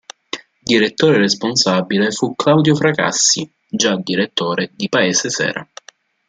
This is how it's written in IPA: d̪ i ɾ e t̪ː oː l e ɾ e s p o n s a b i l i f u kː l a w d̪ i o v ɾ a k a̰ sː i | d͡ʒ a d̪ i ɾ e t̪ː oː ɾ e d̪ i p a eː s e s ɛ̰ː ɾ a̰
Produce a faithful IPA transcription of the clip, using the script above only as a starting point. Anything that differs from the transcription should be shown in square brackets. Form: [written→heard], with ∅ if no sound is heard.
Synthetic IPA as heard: d̪ i ɾ e t̪ː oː [l→ɾ] e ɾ e s p o n s a b i l [i→e] f u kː l a w d̪ [i→j] o [v→f] ɾ a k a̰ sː i | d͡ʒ a d̪ i ɾ e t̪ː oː ɾ e d̪ i p a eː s e s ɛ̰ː ɾ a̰